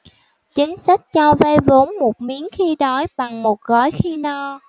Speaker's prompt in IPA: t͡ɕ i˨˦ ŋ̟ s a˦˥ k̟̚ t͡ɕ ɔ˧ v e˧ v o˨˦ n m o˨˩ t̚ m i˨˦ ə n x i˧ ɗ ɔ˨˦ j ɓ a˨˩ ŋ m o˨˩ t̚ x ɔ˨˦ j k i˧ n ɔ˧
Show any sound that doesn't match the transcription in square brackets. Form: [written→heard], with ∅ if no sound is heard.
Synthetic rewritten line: t͡ɕ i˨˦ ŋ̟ s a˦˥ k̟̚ t͡ɕ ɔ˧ v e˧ v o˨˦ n m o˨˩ t̚ m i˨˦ ə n x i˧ ɗ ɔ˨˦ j ɓ a˨˩ ŋ m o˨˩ t̚ [x→ɣ] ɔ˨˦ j [k→x] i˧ n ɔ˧